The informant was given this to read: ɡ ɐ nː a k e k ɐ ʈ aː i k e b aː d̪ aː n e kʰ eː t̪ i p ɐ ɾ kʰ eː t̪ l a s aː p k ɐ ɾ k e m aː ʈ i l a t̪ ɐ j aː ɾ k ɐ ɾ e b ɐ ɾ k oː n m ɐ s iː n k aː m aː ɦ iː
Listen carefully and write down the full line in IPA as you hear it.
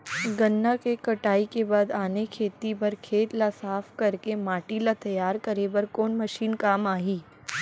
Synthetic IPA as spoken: ɡ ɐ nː a k e k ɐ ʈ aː i k e b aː d̪ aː n e kʰ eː t̪ i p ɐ ɾ kʰ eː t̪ l a s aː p k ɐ ɾ k e m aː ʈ i l a t̪ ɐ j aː ɾ k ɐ ɾ e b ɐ ɾ k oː n m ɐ ʃ iː n k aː m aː ɦ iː